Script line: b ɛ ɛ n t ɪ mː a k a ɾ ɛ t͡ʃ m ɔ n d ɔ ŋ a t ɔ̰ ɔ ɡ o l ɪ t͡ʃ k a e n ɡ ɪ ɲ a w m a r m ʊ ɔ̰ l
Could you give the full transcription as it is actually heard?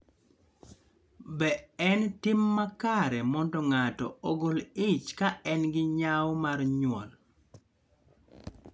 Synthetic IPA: b ɛ ɛ n t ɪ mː a k a ɾ ɛ m ɔ n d ɔ ŋ a t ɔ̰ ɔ ɡ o l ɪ t͡ʃ k a ɛ n ɡ ɪ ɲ a w m a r ɲ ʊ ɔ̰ l